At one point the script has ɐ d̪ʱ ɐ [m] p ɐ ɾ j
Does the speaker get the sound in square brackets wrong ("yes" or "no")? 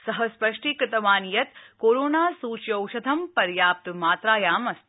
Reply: no